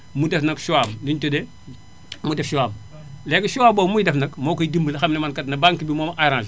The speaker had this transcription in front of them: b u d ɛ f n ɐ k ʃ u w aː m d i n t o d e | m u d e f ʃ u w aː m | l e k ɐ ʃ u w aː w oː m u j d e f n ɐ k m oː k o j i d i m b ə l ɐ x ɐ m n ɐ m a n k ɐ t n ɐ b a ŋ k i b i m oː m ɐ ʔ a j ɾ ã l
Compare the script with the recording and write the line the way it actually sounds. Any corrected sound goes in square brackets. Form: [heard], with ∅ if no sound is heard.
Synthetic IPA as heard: [m] u d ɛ f n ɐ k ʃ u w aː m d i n t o d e | m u d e f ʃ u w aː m | l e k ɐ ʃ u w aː [b] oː m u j d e f n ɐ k m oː k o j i d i m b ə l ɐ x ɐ m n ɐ m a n k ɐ t n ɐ b a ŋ k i b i m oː m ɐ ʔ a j ɾ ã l